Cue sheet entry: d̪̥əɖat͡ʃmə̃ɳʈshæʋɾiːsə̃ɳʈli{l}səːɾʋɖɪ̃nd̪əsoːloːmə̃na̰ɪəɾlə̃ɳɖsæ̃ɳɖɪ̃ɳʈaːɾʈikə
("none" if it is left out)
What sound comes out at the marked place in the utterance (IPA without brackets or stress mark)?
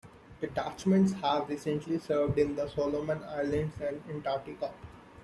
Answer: none